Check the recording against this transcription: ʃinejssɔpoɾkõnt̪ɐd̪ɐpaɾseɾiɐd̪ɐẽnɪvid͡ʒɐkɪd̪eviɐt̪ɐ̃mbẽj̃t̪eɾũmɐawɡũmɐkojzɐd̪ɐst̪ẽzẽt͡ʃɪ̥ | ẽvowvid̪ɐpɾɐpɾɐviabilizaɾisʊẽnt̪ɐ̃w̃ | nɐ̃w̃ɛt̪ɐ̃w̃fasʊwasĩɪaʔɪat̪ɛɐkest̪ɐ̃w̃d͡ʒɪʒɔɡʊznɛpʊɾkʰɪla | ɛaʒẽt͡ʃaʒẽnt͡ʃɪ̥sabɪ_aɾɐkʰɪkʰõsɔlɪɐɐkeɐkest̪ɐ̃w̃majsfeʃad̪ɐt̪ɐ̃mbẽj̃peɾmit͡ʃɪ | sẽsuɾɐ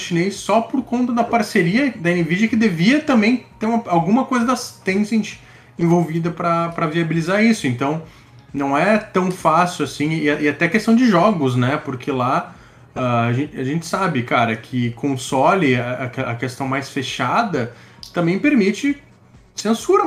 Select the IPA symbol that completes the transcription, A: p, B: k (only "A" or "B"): B